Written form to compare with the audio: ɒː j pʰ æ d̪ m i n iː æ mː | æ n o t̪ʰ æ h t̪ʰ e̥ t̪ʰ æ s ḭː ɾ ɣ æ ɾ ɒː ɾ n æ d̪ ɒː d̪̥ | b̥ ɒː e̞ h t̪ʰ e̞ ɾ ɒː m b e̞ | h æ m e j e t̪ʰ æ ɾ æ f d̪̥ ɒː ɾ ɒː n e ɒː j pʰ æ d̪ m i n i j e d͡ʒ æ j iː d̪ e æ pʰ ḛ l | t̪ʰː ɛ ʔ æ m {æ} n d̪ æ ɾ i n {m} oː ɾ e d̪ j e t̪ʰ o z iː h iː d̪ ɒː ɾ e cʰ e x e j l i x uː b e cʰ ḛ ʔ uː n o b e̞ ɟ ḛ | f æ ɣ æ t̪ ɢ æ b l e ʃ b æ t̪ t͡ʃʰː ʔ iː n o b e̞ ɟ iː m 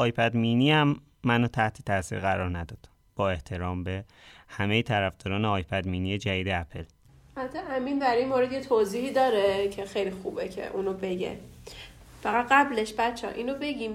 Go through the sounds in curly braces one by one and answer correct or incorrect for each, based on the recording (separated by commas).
incorrect, correct